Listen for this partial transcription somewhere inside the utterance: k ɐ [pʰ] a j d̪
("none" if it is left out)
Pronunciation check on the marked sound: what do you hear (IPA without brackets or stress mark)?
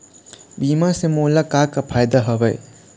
pʰ